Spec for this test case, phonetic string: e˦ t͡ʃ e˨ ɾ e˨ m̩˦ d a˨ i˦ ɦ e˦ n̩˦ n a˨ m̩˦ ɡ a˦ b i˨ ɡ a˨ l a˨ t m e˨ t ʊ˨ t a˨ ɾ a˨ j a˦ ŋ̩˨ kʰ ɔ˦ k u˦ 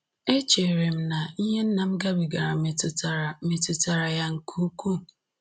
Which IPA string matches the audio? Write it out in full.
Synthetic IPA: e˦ t͡ʃ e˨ ɾ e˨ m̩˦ n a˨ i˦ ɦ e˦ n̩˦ n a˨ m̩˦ ɡ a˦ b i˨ ɡ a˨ ɾ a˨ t m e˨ t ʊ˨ t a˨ ɾ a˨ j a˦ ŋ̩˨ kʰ u˦ k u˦